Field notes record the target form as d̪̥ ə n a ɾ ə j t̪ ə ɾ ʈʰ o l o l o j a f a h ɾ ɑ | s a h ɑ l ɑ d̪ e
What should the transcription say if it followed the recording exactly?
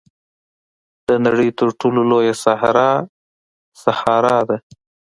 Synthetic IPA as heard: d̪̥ ə n a ɽ ə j t̪ ə ɾ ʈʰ o l o l o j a s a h ɾ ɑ | s a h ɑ ɾ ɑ d̪ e

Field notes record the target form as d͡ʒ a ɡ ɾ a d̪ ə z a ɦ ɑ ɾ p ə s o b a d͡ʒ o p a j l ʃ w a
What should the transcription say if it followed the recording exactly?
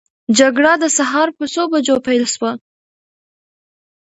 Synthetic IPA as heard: d͡ʒ a ɡ ɽ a d̪ ə s a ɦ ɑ ɾ p ə s o b a d͡ʒ o p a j l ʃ w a

